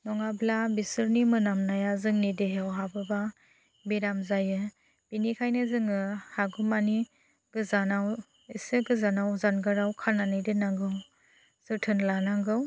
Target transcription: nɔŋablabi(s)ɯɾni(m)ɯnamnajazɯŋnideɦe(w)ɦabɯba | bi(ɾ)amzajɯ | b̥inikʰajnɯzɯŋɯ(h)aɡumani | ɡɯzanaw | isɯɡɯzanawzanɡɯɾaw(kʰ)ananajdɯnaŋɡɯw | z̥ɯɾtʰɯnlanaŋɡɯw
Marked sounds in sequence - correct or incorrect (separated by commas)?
correct, correct, correct, correct, correct, correct